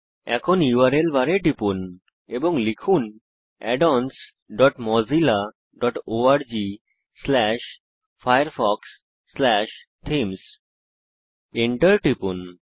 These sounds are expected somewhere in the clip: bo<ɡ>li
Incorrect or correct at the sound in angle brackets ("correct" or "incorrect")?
incorrect